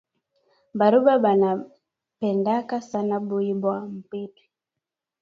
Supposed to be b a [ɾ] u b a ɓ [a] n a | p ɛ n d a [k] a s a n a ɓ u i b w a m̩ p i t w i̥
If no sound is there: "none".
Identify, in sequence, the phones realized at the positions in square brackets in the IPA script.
ɾ, a, k

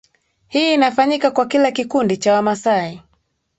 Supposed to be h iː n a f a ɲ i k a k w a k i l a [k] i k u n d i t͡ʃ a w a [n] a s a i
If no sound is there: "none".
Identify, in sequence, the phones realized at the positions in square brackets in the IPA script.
k, m

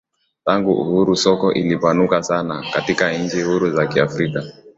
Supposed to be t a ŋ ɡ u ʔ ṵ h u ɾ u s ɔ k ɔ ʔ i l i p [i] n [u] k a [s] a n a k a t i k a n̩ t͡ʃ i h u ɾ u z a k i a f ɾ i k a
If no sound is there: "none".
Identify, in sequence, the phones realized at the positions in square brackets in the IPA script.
a, u, s

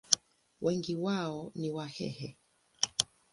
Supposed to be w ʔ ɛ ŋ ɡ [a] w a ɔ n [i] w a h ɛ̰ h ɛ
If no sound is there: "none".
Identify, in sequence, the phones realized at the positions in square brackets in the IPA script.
i, i

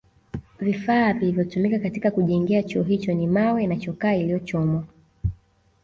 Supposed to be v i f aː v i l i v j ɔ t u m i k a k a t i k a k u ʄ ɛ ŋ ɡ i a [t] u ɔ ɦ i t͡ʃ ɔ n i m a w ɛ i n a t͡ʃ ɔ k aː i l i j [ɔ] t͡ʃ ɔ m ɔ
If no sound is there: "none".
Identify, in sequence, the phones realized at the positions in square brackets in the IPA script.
t͡ʃ, ɔ

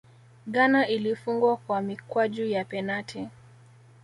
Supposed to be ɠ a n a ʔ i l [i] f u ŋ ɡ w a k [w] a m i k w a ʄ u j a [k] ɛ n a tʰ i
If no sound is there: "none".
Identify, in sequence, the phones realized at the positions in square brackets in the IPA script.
i, w, p

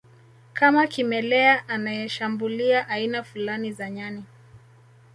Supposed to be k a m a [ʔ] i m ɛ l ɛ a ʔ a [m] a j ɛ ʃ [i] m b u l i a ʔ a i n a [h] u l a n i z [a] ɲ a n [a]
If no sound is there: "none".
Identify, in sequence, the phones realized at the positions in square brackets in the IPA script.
k, n, a, f, a, i

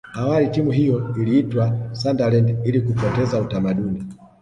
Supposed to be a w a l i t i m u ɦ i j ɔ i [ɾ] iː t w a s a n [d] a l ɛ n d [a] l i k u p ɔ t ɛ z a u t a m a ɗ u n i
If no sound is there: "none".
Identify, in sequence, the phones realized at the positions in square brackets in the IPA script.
l, d, i

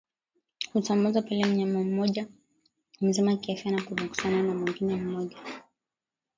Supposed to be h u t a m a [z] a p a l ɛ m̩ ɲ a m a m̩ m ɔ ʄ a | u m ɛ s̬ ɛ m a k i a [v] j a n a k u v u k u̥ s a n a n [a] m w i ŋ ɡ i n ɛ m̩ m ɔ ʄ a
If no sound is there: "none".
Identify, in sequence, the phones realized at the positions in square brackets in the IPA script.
z, f, a

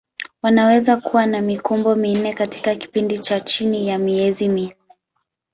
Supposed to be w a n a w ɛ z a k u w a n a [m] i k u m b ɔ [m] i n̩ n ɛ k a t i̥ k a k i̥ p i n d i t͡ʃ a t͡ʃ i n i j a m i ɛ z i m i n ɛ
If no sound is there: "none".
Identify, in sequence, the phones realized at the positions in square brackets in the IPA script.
m, m

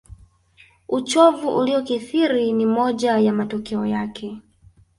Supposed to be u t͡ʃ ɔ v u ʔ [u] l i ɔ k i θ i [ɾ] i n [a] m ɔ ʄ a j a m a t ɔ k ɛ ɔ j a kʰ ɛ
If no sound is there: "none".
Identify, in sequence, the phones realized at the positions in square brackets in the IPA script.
u, ɾ, i

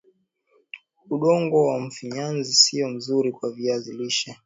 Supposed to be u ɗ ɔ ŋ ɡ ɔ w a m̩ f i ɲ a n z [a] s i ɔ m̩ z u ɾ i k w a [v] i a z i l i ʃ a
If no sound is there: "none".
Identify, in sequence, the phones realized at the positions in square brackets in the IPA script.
i, v

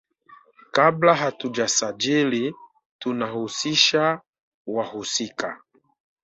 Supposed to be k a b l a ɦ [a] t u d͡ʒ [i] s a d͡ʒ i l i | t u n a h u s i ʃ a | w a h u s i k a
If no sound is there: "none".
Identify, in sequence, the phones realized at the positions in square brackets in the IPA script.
a, a

